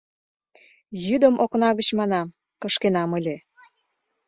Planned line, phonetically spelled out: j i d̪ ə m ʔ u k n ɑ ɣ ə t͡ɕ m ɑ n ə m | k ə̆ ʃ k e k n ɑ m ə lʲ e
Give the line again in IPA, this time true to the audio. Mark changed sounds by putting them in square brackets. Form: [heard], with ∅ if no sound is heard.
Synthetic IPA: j [y] d̪ ə m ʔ [o] k n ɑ ɣ ə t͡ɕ m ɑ n [ɑ] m | k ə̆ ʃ k e [∅] n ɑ m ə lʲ e